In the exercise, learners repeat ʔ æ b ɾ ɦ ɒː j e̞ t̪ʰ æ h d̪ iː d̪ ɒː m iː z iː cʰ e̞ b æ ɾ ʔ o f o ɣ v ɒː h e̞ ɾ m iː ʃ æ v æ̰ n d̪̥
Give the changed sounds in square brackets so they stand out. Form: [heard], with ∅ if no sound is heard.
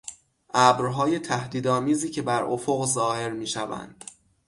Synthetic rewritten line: ʔ æ b ɾ ɦ ɒː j e̞ t̪ʰ æ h d̪ iː d̪ ɒː m iː z iː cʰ e̞ b æ ɾ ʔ o f o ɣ [z] ɒː h e̞ ɾ m iː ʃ æ v æ̰ n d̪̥